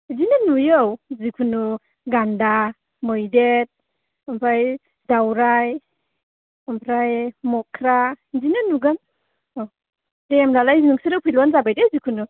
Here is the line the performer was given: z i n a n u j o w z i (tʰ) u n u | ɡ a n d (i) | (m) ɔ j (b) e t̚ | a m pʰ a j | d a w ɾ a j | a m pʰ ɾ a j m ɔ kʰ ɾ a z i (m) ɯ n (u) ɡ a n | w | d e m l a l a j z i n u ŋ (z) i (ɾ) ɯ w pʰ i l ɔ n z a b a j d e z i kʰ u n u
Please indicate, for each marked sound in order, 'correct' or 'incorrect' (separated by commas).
incorrect, incorrect, correct, incorrect, incorrect, correct, incorrect, correct